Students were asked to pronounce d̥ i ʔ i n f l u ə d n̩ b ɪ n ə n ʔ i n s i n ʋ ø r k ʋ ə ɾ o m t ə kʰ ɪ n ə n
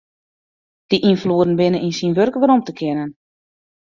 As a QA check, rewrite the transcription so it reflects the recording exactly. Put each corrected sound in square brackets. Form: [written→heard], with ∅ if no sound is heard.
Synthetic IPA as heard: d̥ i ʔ i n f l u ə d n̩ b ɪ n ə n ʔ i n s i n ʋ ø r k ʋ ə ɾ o m t ə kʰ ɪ n ə n

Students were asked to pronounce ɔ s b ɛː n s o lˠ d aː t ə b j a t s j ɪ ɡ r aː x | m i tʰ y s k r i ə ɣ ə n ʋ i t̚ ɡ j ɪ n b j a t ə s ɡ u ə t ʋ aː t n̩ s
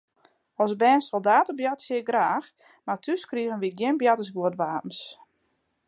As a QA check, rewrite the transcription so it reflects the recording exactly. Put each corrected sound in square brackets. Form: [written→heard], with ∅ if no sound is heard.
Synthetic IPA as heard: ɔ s b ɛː n s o lˠ d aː t ə b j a t s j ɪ ɡ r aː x | m [i→a] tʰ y s k r i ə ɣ ə n ʋ i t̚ ɡ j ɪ n b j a t ə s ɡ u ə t ʋ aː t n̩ s

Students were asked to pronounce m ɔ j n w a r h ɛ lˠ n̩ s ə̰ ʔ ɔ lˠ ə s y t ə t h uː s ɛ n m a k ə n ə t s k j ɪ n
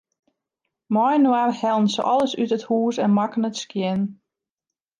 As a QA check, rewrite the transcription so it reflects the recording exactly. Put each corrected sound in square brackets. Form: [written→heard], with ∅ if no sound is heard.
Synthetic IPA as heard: m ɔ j n w a r h ɛ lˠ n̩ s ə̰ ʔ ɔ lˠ ə s y t ə t h uː s ɛ n m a k ə n ə t s k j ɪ n

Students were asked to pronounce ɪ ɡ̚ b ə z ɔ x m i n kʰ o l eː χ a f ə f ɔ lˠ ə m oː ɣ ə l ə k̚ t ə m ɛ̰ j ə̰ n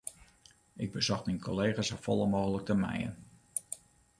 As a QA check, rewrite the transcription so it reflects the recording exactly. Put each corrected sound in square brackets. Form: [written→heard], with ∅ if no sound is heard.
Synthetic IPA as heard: ɪ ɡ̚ b ə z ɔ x m i n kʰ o l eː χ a [f→s] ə f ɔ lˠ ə m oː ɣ ə l ə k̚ t ə m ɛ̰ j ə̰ n

